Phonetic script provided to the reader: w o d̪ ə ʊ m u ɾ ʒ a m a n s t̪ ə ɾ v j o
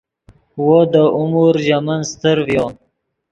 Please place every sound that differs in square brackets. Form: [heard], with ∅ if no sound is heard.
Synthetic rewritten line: w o d̪ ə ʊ m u ɾ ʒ a m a n s t̪ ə ɾ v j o